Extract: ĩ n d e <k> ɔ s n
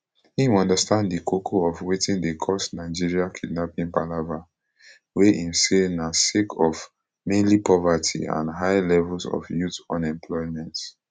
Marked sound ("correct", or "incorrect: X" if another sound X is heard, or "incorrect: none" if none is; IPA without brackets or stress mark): incorrect: kʰ